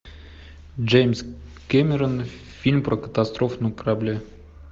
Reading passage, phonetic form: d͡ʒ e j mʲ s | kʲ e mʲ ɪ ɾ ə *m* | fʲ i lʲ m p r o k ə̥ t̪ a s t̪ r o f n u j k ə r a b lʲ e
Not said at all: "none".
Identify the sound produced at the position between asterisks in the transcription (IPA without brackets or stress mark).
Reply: n